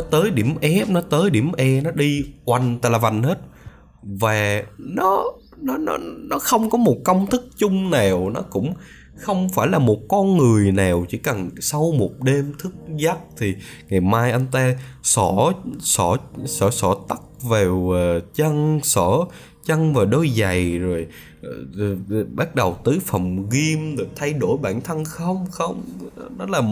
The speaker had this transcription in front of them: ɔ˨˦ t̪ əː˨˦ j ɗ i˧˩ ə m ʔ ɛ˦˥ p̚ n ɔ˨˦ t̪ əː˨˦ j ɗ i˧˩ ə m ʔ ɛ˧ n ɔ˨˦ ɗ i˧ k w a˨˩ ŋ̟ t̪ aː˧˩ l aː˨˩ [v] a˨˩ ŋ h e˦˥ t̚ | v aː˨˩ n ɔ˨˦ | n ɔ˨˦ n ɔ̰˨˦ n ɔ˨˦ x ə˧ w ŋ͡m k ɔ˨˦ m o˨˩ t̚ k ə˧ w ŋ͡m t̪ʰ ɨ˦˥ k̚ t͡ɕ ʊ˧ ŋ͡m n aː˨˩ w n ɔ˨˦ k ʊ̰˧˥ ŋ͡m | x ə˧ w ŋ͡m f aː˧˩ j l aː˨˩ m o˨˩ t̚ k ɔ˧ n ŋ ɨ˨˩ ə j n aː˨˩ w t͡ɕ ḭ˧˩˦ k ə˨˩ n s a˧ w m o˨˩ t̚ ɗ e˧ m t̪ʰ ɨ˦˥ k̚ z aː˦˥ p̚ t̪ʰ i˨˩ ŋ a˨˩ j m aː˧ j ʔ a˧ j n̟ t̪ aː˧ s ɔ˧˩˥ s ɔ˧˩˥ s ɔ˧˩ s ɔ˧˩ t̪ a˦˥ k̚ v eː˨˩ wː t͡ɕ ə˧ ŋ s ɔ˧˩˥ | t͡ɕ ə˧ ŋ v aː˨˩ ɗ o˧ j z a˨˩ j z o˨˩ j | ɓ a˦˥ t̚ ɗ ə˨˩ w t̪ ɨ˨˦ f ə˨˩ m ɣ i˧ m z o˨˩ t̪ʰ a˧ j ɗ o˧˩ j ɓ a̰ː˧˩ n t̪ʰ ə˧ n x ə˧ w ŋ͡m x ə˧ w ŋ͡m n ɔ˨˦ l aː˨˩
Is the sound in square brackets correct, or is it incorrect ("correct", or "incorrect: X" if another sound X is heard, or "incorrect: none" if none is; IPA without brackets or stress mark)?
correct